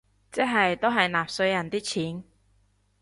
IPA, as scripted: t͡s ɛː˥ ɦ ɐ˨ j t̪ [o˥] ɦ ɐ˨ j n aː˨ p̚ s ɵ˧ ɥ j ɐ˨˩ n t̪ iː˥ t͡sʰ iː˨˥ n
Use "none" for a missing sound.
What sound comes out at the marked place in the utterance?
o˥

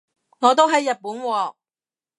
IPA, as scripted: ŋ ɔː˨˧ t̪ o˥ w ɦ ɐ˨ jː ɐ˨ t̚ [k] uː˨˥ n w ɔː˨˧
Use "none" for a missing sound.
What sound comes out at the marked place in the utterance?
p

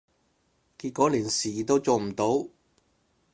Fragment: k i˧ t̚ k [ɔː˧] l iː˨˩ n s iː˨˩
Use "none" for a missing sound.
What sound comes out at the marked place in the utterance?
ɔː˨˥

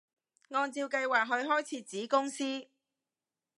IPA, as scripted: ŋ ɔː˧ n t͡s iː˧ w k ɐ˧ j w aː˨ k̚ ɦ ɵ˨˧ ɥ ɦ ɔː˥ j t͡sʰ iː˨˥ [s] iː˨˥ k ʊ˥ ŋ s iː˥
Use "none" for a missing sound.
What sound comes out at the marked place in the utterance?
t͡s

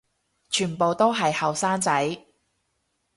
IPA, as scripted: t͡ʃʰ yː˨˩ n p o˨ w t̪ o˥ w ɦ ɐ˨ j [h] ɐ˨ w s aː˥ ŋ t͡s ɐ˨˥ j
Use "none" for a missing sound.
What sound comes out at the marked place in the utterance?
h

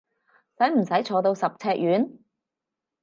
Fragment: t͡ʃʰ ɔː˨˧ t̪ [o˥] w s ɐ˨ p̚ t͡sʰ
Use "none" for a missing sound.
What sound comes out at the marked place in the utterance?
o˧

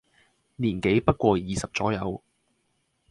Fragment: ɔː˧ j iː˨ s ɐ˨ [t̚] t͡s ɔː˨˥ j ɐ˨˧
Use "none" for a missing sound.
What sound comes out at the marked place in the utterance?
p̚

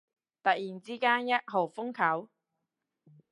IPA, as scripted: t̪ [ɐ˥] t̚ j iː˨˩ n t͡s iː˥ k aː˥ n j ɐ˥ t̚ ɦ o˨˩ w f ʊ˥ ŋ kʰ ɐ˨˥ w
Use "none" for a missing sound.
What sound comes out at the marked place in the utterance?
ɐ˨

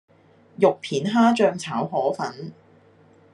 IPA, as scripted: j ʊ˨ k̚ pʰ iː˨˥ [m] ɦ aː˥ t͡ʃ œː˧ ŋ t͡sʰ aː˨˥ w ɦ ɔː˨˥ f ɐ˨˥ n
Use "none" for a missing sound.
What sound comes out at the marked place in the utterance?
n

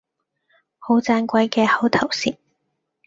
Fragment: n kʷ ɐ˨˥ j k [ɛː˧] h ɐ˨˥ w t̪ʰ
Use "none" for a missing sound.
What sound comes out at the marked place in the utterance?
ɛː˧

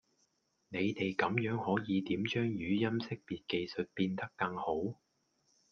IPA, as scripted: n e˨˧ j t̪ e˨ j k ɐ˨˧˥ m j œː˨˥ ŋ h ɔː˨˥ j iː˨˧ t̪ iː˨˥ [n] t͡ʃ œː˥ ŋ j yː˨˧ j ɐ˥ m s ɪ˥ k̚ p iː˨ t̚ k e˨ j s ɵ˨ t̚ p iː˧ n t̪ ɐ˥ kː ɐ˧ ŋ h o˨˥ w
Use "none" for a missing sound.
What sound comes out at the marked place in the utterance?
m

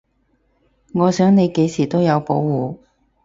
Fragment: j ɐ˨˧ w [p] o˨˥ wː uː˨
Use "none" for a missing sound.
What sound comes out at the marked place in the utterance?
p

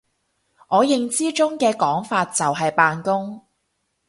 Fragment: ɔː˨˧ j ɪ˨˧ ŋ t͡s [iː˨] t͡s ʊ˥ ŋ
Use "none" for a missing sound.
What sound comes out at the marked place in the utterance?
iː˥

